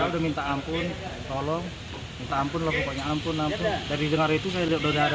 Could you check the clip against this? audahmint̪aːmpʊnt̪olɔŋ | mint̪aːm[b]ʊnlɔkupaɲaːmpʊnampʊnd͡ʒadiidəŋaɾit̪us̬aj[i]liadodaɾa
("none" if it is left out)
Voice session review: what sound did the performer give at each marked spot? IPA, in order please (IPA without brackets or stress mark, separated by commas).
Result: p, a